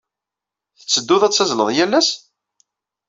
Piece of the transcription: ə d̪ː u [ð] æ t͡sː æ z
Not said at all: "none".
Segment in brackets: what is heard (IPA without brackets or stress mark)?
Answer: ð